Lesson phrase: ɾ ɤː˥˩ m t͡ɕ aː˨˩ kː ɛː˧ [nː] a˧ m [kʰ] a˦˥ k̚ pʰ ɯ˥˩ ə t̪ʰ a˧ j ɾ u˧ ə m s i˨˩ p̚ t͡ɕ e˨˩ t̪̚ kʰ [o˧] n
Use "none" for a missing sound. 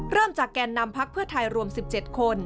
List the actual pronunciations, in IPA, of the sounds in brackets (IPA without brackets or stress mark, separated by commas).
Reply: nː, pʰ, o˧